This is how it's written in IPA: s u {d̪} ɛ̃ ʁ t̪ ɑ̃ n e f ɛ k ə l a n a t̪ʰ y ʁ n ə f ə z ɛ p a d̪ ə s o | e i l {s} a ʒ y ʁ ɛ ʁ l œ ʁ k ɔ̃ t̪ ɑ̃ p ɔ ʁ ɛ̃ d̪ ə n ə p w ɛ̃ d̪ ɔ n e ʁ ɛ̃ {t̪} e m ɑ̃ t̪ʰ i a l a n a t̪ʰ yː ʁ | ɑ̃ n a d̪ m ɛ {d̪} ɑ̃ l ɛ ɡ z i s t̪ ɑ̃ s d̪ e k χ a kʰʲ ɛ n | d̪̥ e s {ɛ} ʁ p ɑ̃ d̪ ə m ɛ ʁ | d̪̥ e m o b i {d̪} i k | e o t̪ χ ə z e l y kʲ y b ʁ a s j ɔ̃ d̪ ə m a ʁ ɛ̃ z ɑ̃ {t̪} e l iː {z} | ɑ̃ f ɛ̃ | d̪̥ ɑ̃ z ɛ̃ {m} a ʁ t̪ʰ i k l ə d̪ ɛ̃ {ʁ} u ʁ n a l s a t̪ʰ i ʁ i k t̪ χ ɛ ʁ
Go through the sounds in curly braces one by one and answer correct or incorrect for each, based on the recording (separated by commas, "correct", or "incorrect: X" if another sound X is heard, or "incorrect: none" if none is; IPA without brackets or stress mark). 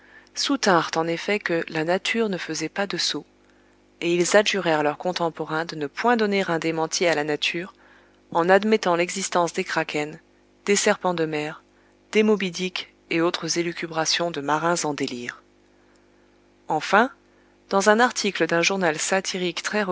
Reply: incorrect: t̪, incorrect: z, incorrect: d̪, incorrect: t̪, correct, correct, incorrect: d̪, incorrect: ʁ, incorrect: n, incorrect: ʒ